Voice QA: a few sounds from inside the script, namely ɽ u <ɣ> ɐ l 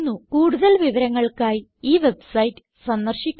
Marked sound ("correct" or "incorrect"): incorrect